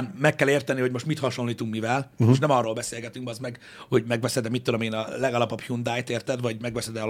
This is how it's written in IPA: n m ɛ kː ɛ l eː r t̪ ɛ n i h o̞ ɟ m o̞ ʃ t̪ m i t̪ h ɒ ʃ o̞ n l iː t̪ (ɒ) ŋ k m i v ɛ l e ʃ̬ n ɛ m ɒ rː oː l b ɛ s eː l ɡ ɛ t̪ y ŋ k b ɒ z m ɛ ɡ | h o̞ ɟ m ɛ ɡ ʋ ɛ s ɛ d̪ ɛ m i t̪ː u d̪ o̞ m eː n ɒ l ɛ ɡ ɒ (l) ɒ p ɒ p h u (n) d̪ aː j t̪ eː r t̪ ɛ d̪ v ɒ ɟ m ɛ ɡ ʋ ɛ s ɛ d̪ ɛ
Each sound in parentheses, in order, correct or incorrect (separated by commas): incorrect, correct, correct